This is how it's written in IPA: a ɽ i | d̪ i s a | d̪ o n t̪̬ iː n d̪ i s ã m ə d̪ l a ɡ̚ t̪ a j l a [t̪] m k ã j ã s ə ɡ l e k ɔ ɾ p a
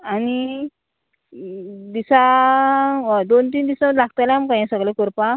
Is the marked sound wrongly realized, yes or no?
yes